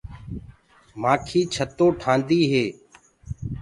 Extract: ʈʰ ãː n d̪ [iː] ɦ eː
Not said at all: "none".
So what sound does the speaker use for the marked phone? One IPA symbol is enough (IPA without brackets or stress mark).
iː